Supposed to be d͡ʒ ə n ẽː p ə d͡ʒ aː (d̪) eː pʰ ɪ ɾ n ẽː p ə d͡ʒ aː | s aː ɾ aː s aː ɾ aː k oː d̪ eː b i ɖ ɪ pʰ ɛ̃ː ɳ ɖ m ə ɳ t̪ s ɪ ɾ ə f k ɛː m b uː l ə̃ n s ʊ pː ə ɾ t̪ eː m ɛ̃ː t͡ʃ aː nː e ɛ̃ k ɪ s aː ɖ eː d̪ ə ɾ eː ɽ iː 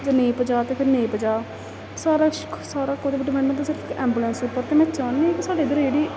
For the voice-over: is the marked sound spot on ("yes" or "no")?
no